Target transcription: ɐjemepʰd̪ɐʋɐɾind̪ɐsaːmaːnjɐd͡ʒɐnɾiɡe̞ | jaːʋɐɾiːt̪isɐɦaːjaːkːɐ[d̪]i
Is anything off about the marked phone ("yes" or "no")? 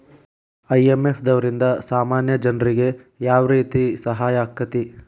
yes